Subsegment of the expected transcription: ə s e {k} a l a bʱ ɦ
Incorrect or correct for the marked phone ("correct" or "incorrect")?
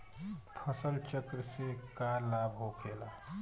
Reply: correct